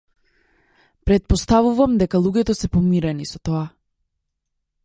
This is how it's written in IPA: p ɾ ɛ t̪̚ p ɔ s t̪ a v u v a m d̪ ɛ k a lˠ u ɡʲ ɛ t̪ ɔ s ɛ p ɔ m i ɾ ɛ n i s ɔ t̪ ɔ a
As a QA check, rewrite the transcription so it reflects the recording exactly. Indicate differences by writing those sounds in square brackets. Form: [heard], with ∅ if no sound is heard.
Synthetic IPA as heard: p ɾ ɛ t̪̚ p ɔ s t̪ a v u v a m d̪ ɛ k a lˠ u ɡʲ ɛ t̪ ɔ s ɛ p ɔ m i ɾ ɛ n i s ɔ t̪ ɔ a